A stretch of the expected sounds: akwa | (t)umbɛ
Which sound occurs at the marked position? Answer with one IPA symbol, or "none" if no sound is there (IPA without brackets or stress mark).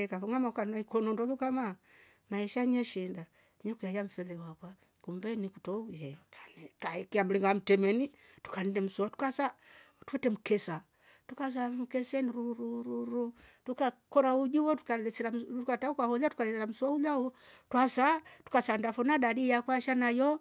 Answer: k